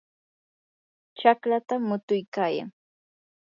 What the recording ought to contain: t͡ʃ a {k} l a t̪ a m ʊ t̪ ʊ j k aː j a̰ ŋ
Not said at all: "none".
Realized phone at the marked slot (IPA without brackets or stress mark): k